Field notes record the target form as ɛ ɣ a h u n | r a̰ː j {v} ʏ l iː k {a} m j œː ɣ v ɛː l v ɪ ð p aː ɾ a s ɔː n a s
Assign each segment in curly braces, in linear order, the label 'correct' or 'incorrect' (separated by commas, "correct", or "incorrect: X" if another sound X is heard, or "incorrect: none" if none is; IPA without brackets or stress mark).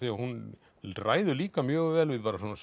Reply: incorrect: ð, correct